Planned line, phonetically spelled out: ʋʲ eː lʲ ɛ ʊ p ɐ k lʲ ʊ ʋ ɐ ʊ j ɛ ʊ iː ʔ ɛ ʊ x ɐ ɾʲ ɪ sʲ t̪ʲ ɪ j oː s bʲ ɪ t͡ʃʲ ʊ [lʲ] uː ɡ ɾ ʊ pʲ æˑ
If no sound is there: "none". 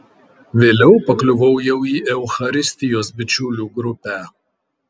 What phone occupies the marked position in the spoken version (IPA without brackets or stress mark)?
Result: lʲ